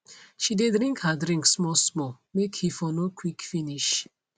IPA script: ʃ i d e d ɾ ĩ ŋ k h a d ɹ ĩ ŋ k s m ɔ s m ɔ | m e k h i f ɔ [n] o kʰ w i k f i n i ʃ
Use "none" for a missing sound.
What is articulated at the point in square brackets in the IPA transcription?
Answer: n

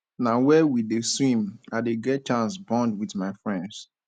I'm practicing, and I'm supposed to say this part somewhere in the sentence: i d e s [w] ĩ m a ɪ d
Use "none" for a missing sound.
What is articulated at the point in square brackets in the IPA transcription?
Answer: w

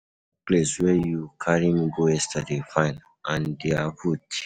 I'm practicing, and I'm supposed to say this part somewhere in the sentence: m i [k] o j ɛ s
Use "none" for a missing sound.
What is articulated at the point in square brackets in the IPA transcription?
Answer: ɡ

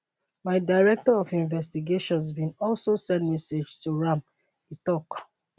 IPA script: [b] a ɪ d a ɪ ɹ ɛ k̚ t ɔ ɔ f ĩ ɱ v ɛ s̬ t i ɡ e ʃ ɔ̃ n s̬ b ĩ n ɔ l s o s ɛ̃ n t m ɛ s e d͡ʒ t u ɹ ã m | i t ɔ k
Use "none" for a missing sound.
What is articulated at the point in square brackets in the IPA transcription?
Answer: m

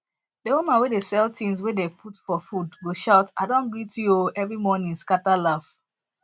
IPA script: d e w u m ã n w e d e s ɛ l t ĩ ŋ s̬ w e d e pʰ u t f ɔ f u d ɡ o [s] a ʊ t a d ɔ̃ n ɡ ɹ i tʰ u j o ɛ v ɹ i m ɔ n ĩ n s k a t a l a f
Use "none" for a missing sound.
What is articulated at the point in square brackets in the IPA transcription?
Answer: ʃ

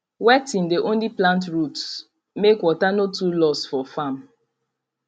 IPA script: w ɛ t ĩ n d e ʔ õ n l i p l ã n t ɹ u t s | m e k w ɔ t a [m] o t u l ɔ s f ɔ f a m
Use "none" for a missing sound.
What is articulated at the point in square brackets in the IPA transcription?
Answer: n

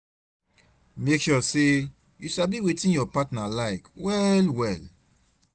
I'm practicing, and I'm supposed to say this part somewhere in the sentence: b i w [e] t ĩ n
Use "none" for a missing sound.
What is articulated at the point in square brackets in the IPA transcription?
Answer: e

